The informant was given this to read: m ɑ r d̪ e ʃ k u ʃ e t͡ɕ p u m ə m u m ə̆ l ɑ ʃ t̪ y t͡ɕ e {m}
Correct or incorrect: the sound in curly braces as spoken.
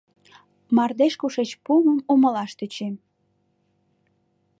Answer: correct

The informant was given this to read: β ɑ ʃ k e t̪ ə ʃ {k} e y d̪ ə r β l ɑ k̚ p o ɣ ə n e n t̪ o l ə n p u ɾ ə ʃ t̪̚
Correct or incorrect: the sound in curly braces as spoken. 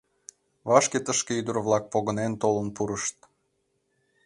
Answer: correct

